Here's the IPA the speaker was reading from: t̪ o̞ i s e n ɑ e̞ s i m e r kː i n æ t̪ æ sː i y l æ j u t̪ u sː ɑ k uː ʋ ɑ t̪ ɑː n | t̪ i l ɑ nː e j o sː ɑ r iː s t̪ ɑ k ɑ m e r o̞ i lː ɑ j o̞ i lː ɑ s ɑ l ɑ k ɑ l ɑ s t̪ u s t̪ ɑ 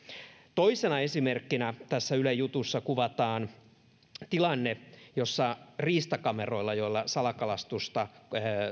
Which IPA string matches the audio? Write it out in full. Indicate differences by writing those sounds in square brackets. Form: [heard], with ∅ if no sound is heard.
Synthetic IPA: t̪ o̞ i s e n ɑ e̞ s i m e r kː i n æ t̪ æ sː [æ] y l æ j u t̪ u sː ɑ k [u] ʋ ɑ t̪ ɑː n | t̪ i l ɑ nː e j o sː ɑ r iː s t̪ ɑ k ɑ m e r o̞ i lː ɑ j o̞ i lː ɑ s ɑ l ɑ k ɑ l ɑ s t̪ u s t̪ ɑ